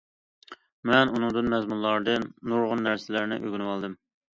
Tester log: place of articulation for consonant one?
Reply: labial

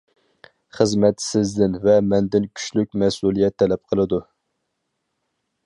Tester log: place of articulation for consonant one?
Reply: uvular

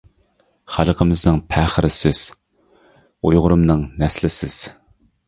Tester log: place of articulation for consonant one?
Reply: uvular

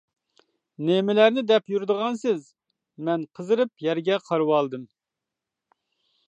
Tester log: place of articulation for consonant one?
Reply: alveolar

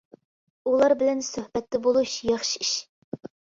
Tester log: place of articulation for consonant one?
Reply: alveolar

